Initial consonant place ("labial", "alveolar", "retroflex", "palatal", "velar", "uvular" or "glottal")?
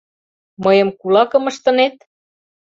labial